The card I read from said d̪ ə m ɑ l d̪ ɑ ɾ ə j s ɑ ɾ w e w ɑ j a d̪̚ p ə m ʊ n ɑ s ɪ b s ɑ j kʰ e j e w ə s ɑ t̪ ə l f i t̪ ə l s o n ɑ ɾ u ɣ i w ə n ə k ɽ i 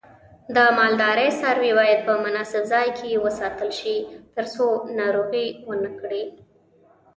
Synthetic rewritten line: d̪ ə m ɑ l d̪ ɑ ɾ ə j s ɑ ɾ w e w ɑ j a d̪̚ p ə m ʊ n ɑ s ɪ b z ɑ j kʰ e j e w ə s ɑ t̪ ə l ʃ i t̪ ə ɾ s o n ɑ ɾ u ɣ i w ə n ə k ɽ i